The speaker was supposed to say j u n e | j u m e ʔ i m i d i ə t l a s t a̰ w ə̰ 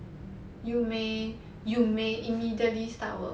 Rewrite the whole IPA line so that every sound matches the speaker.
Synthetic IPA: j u m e | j u m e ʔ i m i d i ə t l i s t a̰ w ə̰